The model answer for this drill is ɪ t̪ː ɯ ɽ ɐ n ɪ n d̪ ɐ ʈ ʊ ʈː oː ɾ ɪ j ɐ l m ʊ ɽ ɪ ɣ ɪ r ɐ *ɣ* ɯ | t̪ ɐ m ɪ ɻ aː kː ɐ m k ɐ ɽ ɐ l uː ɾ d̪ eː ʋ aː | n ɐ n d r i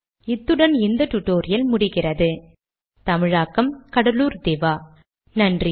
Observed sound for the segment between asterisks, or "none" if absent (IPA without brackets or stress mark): ð